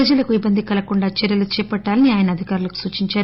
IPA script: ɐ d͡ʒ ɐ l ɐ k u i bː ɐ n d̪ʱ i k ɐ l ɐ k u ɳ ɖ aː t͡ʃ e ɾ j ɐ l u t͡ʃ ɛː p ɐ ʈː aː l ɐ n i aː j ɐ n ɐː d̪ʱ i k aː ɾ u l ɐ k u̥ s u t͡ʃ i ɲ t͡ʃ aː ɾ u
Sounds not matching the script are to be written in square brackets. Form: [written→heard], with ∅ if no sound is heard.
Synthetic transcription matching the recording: ɐ d͡ʒ ɐ l ɐ k u i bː ɐ n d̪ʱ i k ɐ l ɐ k u ɳ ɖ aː t͡ʃ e ɾ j ɐ l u t͡ʃ ɛː p ɐ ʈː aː l ɐ n i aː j ɐ n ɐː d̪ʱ i k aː ɾ u l ɐ k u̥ s [u→uː] t͡ʃ i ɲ t͡ʃ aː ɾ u